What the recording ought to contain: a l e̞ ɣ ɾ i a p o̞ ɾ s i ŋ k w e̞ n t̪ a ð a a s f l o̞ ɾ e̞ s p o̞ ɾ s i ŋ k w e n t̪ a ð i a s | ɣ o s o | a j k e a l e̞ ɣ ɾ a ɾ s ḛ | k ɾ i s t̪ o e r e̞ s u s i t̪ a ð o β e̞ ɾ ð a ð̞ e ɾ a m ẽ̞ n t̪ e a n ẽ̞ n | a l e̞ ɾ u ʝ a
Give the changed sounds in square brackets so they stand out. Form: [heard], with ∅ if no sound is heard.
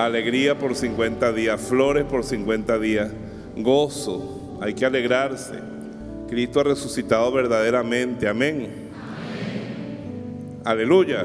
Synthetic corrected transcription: a l e̞ ɣ ɾ i a p o̞ ɾ s i ŋ k w e̞ n t̪ a ð [i] a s f l o̞ ɾ e̞ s p o̞ ɾ s i ŋ k w e n t̪ a ð i a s | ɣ o s o | a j k e a l e̞ ɣ ɾ a ɾ s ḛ | k ɾ i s t̪ o [a] r e̞ s u s i t̪ a ð o β e̞ ɾ ð a ð̞ e ɾ a m ẽ̞ n t̪ e a [m] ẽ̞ [ŋ] | a l e̞ [l] u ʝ a